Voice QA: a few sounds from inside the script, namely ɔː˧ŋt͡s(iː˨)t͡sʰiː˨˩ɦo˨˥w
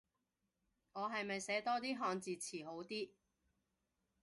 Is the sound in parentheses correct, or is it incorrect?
correct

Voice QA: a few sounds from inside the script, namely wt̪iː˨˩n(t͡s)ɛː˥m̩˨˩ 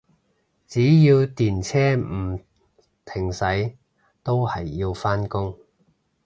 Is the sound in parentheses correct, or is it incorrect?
incorrect: t͡sʰ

